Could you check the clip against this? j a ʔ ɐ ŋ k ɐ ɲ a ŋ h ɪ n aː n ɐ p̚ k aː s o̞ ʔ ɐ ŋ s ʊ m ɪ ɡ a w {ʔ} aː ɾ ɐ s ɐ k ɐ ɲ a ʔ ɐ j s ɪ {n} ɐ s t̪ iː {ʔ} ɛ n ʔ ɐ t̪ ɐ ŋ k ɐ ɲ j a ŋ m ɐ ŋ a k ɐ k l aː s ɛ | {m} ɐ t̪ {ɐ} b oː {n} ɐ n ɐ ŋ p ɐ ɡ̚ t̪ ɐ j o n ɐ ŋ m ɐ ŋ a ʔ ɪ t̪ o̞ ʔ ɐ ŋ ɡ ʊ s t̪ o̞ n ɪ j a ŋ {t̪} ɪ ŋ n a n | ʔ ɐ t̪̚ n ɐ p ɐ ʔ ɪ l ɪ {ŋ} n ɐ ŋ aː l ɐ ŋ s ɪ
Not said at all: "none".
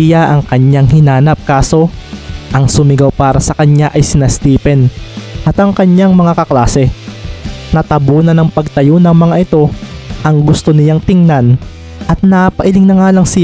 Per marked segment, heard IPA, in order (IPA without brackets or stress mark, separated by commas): p, n, p, n, ɐ, n, t̪, ŋ